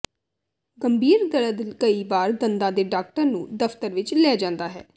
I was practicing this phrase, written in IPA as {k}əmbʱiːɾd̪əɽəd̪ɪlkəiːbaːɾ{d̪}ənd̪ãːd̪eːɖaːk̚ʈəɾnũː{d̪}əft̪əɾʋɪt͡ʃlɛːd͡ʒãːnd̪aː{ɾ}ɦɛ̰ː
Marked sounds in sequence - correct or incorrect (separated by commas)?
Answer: incorrect, correct, correct, incorrect